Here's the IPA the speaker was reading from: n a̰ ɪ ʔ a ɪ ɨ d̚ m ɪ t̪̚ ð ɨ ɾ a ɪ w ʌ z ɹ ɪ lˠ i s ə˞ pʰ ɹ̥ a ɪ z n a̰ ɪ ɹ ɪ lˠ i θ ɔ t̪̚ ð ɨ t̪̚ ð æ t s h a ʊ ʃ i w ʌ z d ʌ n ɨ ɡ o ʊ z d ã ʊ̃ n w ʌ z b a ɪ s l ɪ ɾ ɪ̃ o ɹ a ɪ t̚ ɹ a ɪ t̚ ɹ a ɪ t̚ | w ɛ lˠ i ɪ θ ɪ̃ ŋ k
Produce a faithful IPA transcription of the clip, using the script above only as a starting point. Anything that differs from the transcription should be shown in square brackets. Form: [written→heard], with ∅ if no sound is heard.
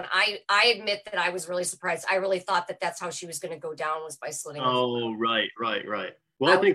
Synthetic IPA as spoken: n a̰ ɪ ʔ a ɪ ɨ d̚ m ɪ t̪̚ ð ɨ ɾ a ɪ w ʌ z ɹ ɪ lˠ i s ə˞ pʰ ɹ̥ a ɪ z [n→d] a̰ ɪ ɹ ɪ lˠ i θ ɔ t̪̚ ð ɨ t̪̚ ð æ t s h a ʊ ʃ i w ʌ z [d→ɡ] ʌ n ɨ ɡ o ʊ [z→∅] d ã ʊ̃ n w ʌ z b a ɪ s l ɪ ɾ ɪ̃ o ɹ a ɪ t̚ ɹ a ɪ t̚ ɹ a ɪ t̚ | w ɛ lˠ [i→a] ɪ θ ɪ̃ ŋ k